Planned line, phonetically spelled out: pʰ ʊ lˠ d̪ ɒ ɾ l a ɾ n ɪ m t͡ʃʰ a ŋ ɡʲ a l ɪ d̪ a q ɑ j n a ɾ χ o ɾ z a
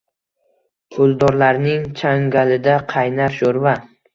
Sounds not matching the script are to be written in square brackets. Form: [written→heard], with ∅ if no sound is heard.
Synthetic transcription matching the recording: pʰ ʊ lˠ d̪ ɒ ɾ l a ɾ n ɪ [m→ŋ] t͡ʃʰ a ŋ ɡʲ a l ɪ d̪ a [q→qʰ] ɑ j n a ɾ [χ→ʃ] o ɾ [z→v] a